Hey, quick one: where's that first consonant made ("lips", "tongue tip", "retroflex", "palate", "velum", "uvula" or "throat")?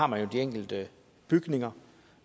lips